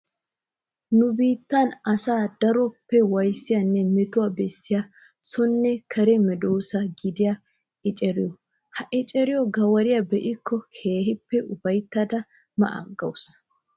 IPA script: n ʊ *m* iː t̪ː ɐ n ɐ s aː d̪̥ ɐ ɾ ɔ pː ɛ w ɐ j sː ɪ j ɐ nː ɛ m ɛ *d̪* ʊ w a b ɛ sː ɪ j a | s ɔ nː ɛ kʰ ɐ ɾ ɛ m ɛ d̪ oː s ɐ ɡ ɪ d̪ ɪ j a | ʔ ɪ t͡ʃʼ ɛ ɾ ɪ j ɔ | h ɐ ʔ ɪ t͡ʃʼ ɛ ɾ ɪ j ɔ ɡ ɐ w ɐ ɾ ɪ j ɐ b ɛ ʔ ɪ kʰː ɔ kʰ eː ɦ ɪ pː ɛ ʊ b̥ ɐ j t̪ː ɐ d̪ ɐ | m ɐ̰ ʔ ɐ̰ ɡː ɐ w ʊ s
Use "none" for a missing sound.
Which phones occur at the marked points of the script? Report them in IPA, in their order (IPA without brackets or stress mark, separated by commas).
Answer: b, t̪